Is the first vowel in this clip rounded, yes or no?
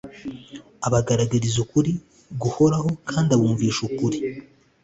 no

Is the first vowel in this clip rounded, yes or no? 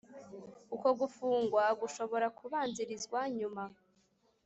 yes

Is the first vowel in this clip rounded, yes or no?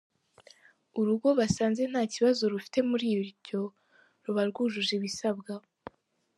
yes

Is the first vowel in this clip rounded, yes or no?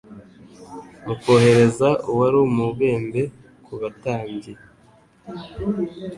yes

